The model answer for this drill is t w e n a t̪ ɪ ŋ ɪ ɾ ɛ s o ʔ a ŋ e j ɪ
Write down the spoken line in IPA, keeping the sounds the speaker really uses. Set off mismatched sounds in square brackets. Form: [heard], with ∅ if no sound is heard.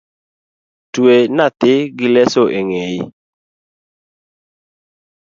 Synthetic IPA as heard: t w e n a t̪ ɪ [ɡ] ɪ [l] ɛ s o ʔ [e] ŋ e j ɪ